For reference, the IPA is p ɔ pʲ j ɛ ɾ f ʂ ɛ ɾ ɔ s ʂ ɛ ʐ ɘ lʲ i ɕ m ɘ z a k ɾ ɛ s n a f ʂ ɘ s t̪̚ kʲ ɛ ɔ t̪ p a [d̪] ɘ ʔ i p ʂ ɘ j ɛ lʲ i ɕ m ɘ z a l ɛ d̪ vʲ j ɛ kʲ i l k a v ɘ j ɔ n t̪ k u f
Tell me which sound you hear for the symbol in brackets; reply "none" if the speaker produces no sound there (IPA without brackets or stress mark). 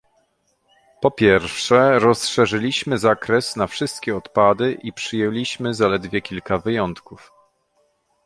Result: d̪